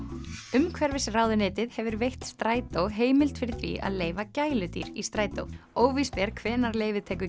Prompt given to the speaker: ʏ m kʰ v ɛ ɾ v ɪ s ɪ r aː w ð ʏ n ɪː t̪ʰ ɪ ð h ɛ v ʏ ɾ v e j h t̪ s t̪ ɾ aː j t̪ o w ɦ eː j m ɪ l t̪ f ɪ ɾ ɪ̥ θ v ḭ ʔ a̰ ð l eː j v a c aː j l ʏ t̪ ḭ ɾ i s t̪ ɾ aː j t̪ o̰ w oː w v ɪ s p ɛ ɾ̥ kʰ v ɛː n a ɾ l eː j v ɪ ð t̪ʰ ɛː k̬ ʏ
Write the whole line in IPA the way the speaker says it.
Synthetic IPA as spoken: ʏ m kʰ v ɛ ɾ v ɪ s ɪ r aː w ð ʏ n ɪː t̪ ɪ ð h ɛ v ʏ ɾ v e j h t̪ s t̪ ɾ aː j t̪ o w ɦ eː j m ɪ l t̪ f ɪ ɾ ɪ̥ θ v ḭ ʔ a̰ ð l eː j v a c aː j l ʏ t̪ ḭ ɾ i s t̪ ɾ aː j t̪ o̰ w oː w v i s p ɛ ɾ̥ kʰ v ɛː n a ɾ l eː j v ɪ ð t̪ʰ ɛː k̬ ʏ